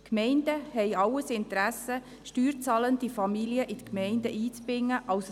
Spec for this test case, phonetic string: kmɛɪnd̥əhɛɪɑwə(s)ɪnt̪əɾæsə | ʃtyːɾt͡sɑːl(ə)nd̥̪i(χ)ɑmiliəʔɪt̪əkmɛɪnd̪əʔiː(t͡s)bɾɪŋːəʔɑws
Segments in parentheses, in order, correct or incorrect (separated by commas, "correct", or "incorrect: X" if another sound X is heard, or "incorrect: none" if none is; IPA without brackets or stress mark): correct, correct, incorrect: f, correct